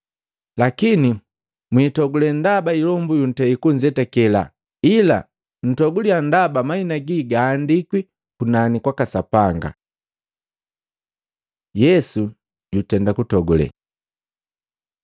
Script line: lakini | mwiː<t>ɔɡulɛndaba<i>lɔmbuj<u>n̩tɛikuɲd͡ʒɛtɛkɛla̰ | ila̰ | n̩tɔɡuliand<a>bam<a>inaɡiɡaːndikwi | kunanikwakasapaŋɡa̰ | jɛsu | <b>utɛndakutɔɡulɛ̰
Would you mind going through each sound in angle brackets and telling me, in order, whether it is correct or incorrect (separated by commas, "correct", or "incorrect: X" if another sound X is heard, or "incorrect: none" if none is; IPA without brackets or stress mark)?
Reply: correct, correct, correct, correct, correct, incorrect: ɟ